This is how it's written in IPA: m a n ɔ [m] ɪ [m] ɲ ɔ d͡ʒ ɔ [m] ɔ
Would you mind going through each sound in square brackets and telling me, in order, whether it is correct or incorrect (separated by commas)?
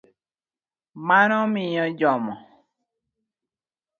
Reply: correct, incorrect, correct